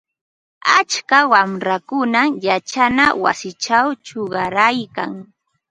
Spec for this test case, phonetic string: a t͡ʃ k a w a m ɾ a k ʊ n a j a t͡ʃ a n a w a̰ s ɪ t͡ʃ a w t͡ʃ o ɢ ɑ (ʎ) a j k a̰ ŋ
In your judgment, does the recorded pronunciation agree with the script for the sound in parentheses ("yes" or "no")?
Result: no